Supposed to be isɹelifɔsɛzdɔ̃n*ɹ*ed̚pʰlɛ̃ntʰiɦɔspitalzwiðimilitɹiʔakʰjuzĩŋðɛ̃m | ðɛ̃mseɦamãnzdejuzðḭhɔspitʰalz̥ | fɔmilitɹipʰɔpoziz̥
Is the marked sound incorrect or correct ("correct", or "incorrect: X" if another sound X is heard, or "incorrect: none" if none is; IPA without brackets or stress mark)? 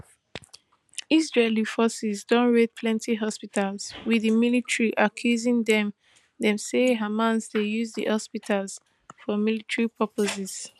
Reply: correct